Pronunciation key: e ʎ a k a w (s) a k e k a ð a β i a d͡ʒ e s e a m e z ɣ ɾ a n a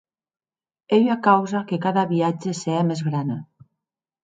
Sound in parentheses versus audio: incorrect: z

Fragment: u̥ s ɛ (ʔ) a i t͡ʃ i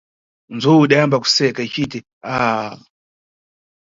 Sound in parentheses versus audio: incorrect: k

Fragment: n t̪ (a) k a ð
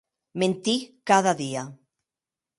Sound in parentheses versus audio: incorrect: i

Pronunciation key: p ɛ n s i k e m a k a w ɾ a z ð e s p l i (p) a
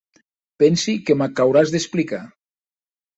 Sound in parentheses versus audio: incorrect: k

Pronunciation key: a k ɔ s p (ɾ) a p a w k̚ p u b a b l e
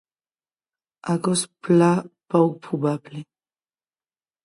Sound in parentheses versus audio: incorrect: l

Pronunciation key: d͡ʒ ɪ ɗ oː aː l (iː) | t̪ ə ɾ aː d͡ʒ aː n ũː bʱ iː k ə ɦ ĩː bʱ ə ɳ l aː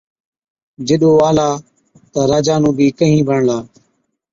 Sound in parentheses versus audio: incorrect: aː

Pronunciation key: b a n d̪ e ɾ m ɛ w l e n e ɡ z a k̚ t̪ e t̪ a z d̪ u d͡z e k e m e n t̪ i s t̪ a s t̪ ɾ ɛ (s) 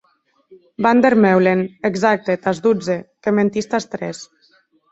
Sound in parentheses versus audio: correct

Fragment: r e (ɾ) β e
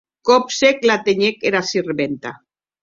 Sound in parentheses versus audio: incorrect: none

